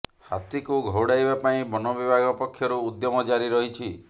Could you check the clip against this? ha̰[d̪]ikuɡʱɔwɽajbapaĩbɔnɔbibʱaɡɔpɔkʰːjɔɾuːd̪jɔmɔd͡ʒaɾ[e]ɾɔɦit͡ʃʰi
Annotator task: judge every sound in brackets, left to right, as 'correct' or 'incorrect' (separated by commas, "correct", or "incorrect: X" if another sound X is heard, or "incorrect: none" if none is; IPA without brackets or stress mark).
incorrect: t̪, incorrect: i